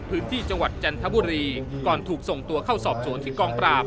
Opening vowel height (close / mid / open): close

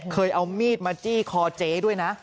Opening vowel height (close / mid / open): mid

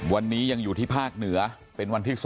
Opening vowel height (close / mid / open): open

